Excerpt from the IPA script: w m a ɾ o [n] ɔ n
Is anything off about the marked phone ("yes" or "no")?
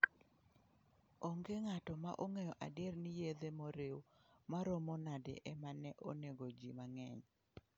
yes